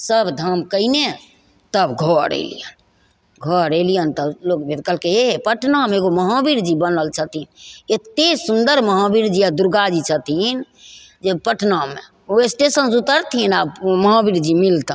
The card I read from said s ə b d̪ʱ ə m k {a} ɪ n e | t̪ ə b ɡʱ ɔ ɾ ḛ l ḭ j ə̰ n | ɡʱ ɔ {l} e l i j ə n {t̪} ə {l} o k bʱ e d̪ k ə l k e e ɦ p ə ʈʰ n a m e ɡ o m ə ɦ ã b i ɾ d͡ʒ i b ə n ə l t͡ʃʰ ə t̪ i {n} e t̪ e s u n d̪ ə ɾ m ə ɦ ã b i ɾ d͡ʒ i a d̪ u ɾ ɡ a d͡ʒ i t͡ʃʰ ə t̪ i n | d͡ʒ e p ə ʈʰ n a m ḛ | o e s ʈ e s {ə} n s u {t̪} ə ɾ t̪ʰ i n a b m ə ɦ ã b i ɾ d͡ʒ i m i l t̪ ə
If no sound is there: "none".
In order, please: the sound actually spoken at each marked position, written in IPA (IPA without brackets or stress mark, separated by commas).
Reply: ə, ɾ, t̪, l, n, ə, t̪